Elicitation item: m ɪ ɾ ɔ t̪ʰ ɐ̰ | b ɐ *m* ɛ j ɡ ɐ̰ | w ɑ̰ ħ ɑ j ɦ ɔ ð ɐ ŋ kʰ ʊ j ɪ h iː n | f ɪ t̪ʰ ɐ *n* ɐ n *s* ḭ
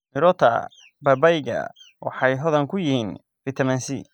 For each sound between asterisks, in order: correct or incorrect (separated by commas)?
incorrect, incorrect, correct